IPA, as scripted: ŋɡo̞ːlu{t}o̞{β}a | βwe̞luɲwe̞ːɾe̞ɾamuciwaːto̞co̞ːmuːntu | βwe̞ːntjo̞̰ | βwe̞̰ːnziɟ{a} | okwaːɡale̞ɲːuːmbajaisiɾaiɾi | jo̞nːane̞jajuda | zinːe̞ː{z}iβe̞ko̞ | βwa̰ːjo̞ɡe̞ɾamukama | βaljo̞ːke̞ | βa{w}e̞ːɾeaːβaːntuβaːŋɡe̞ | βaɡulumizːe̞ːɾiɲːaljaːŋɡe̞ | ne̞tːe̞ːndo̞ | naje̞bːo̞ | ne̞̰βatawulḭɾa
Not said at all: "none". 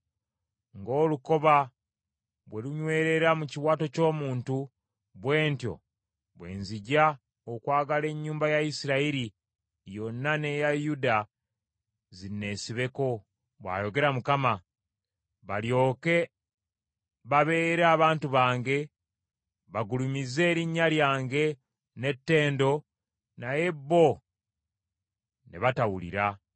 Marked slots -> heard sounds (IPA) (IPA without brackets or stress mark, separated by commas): k, β, a, s, β